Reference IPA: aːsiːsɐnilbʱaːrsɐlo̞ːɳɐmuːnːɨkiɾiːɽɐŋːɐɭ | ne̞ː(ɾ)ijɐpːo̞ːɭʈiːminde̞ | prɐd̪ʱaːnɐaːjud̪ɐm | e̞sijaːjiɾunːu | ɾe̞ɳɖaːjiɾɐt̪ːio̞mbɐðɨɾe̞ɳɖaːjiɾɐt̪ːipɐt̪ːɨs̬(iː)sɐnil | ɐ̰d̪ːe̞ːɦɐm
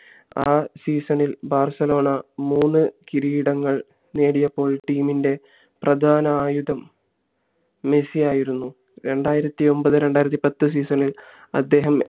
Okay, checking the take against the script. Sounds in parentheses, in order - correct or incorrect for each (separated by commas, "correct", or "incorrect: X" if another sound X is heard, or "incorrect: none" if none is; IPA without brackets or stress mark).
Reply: incorrect: ɽ, correct